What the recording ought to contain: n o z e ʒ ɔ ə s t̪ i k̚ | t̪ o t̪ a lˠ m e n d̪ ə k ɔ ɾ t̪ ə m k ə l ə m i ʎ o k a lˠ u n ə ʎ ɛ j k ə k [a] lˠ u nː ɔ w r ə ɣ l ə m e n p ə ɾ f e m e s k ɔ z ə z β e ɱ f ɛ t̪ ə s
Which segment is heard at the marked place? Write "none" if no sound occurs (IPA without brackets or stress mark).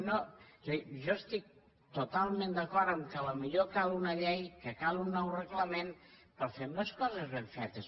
a